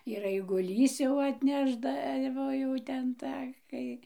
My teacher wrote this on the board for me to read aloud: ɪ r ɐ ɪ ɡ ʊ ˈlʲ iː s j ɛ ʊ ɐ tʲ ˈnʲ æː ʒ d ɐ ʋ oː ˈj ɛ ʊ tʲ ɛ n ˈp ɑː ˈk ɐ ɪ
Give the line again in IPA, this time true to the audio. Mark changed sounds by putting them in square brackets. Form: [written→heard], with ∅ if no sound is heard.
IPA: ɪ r ɐ ɪ ɡ ʊ ˈlʲ iː s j ɛ ʊ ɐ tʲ ˈnʲ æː ʒ d ɐ ʋ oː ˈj ɛ ʊ tʲ ɛ n [ˈp→ˈt] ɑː ˈk ɐ ɪ